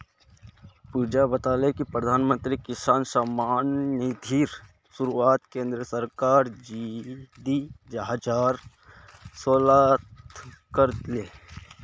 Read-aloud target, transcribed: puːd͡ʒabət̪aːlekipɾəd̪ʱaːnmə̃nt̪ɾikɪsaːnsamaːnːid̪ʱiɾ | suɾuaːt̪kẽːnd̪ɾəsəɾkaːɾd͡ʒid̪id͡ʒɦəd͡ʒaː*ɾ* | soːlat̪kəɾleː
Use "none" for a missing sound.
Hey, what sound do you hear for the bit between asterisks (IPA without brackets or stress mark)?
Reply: ɾ